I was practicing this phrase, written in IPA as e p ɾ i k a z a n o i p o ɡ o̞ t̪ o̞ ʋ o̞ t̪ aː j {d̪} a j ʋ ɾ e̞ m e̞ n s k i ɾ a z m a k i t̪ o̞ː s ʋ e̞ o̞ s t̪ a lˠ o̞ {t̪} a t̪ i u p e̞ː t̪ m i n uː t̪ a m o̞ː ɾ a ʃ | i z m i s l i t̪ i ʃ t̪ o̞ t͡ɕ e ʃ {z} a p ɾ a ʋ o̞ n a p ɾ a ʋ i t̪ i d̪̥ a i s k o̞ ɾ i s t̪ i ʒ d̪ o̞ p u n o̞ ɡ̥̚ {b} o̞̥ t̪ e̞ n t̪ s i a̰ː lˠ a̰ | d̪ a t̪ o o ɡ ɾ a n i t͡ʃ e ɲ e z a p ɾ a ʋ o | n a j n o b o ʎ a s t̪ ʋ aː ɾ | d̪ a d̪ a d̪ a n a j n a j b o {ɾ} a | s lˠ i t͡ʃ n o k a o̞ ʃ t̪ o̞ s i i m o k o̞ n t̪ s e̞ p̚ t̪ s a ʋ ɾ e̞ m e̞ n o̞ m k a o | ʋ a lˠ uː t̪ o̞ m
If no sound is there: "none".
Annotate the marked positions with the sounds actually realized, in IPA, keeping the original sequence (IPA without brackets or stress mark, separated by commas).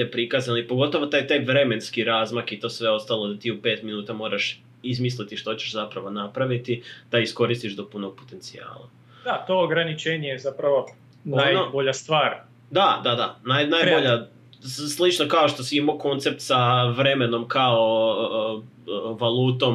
t̪, d̪, z, p, ʎ